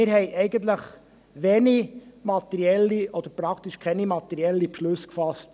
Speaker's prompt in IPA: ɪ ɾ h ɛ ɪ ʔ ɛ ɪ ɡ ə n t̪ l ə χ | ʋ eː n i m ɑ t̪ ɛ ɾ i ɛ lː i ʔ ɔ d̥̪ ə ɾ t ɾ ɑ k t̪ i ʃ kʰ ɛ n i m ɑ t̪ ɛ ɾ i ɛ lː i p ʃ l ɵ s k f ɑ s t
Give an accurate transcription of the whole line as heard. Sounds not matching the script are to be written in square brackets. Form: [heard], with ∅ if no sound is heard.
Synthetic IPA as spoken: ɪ ɾ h ɛ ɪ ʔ ɛ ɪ ɡ ə n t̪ l ə χ | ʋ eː n i m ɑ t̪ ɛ ɾ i ɛ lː i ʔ ɔ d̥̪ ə ɾ [p] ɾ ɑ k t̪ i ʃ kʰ ɛ n i m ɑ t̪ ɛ ɾ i ɛ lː i p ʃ l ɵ s k f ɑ s t